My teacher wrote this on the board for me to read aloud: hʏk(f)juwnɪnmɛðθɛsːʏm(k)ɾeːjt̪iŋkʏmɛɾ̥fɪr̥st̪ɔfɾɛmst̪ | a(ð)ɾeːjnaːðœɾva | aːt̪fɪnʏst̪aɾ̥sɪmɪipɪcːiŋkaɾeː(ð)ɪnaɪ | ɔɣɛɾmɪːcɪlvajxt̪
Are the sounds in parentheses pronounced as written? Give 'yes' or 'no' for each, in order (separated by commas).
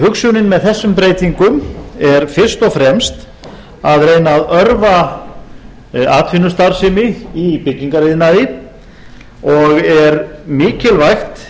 no, no, yes, yes